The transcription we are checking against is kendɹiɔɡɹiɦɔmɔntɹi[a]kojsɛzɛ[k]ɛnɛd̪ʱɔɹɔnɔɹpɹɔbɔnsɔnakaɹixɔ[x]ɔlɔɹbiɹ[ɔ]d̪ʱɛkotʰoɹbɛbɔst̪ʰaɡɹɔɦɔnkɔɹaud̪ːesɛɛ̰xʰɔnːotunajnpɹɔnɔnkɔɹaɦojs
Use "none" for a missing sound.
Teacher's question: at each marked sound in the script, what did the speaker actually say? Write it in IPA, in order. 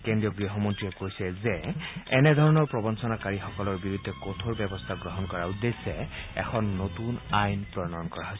ɛ, none, k, u

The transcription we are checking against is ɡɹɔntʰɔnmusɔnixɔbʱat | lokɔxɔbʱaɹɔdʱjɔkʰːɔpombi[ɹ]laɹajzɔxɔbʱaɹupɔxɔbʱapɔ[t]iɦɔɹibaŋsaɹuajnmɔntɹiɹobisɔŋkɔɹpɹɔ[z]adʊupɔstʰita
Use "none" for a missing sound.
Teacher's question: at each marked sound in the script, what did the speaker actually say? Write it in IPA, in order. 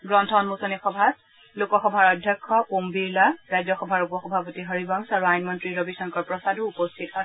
ɹ, t, s

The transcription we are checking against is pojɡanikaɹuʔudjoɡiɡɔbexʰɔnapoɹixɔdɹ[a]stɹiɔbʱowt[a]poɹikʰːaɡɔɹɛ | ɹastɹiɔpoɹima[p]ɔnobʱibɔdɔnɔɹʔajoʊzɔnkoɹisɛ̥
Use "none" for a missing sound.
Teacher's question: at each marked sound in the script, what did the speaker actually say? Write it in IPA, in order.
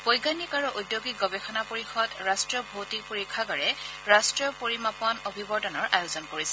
a, i, p

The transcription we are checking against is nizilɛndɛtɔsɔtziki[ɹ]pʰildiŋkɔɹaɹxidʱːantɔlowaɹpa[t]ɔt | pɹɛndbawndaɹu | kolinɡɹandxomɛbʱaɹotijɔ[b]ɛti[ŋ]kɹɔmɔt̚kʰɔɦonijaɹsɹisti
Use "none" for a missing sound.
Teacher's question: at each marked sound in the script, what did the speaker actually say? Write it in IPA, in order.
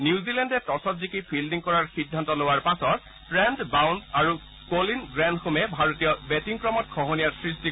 none, s, b, ŋ

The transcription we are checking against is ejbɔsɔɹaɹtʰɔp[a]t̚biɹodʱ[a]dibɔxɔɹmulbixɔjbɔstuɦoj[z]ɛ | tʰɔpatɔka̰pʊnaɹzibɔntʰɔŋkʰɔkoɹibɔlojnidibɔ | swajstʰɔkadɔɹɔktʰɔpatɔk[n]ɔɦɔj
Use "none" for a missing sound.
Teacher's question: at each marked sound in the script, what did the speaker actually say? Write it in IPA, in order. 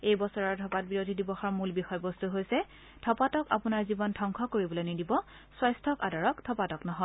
a, i, s, n

